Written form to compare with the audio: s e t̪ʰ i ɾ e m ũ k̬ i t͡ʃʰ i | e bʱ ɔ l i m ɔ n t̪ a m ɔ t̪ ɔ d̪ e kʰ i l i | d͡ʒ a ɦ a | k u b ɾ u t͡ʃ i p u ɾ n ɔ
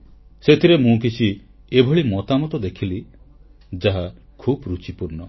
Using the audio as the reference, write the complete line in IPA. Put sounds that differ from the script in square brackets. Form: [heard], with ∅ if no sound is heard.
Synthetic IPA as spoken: s e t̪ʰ i ɾ e m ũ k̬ i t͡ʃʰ i | e bʱ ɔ [ɭ] i m ɔ [∅] t̪ a m ɔ t̪ ɔ d̪ e kʰ i l i | d͡ʒ a ɦ a | [kʰ] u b ɾ u t͡ʃ i p u ɾ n ɔ